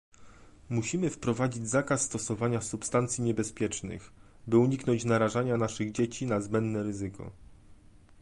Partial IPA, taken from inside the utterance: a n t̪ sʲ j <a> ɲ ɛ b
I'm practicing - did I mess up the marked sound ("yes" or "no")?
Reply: yes